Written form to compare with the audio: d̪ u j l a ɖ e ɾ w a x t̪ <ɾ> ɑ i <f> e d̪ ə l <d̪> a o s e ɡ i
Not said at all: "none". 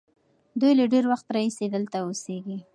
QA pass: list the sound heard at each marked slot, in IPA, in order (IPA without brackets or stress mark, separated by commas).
ɾ, s, t̪